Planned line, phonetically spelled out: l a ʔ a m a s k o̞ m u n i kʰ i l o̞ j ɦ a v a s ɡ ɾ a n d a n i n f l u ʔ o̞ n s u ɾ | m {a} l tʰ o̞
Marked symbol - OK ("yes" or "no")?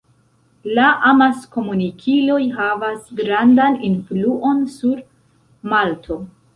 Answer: yes